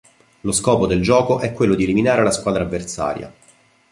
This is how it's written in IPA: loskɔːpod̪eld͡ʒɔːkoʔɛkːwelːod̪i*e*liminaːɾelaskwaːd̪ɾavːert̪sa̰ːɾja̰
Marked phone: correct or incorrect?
correct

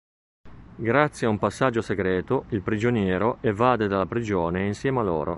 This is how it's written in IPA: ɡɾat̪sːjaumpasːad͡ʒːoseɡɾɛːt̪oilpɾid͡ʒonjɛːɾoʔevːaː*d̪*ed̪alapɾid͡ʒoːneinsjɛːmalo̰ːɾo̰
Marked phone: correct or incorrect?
correct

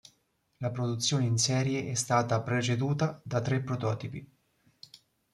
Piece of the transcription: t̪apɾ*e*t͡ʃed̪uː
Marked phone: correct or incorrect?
correct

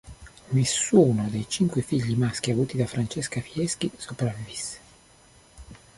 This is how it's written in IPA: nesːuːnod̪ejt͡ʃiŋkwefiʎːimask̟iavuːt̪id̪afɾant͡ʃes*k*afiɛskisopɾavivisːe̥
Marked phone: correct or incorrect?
correct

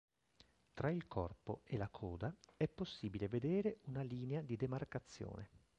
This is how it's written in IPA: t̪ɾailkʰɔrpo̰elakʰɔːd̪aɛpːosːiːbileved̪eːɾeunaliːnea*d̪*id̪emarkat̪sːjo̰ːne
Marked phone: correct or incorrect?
correct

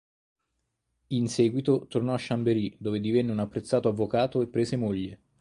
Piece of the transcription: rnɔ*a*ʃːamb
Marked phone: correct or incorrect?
correct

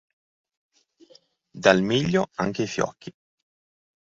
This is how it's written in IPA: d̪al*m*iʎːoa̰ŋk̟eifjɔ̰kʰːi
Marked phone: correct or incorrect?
correct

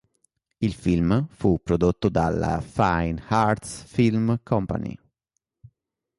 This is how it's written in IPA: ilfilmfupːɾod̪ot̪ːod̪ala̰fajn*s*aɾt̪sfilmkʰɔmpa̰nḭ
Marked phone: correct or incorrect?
incorrect: h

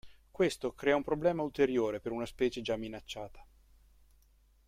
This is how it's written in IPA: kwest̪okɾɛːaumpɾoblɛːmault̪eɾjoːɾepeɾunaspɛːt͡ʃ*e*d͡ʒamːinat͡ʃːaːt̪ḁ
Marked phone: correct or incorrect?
correct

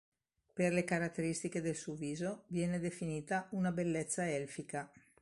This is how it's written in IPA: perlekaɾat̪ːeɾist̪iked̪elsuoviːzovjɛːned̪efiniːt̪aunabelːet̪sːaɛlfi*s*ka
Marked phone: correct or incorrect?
incorrect: none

